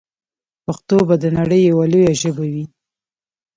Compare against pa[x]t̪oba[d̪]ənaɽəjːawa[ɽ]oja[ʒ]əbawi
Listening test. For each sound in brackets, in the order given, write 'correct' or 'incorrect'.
correct, correct, incorrect, correct

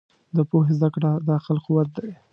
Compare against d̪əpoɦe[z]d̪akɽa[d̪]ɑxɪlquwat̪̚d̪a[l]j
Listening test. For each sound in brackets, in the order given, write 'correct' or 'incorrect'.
correct, correct, incorrect

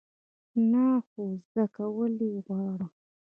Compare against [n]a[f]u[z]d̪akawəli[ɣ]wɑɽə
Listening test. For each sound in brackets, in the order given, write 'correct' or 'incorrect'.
correct, incorrect, correct, correct

